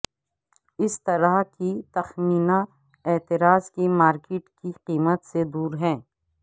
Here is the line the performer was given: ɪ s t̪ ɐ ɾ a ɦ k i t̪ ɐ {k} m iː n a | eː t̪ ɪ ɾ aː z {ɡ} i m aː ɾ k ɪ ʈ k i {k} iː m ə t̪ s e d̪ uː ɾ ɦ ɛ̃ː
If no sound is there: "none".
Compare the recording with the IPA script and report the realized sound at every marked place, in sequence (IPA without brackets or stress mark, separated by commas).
x, k, q